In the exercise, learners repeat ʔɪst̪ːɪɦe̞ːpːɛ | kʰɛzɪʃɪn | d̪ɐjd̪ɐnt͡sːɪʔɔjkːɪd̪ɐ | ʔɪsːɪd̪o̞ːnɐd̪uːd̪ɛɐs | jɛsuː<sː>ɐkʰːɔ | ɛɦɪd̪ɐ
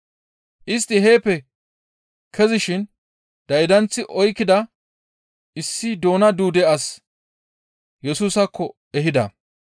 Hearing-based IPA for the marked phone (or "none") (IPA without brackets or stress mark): s